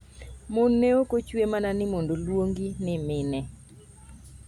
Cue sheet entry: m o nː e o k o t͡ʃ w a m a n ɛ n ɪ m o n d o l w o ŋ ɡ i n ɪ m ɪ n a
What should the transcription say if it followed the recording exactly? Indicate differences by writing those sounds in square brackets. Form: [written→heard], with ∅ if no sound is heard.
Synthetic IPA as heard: m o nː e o k o t͡ʃ w [a→e] m a n [ɛ→a] n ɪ m o n d o l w o ŋ ɡ i n ɪ m ɪ n [a→ɛ]